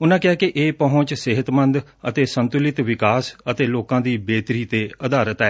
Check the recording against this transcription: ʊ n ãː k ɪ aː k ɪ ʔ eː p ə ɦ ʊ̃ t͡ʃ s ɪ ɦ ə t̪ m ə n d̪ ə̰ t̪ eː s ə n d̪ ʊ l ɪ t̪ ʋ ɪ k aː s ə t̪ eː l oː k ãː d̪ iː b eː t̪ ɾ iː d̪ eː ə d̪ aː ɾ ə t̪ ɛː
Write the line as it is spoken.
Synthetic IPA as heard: ʊ n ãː k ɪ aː k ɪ ʔ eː p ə ɦ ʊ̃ t͡ʃ s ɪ ɦ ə t̪ m ə n d̪ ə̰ t̪ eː s ə n t̪ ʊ l ɪ t̪ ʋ ɪ k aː s ə t̪ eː l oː k ãː d̪ iː b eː t̪ ɾ iː t̪ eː ə d̪ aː ɾ ə t̪ ɛː